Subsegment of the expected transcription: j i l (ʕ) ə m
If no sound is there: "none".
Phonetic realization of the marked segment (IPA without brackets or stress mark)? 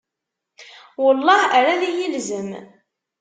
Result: z